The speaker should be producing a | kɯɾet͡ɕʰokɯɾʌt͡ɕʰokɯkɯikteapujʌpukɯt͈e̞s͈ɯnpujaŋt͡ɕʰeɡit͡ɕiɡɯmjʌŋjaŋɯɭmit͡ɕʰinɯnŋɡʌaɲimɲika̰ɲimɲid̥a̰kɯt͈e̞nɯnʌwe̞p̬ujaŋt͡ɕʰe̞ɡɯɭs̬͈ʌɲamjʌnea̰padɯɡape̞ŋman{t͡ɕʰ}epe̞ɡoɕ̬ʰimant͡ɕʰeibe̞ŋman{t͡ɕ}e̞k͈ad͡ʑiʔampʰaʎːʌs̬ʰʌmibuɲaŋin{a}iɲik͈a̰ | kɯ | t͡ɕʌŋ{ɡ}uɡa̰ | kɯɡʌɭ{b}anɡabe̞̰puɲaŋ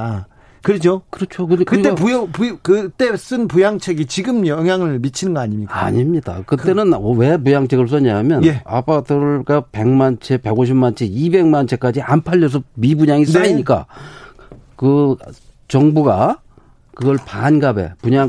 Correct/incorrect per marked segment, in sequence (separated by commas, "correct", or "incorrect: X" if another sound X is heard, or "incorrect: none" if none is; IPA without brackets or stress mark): correct, incorrect: t͡ɕʰ, correct, incorrect: b, incorrect: p